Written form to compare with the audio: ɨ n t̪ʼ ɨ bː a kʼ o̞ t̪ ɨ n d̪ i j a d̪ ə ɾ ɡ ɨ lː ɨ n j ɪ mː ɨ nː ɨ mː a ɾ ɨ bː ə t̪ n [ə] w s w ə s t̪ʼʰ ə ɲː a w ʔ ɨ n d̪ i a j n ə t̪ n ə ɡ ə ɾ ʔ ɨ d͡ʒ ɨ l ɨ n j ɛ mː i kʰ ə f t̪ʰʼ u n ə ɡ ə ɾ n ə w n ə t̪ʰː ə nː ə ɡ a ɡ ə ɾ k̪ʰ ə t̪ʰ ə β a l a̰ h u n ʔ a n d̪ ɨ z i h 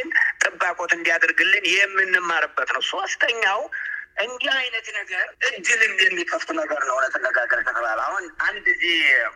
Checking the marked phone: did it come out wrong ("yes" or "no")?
no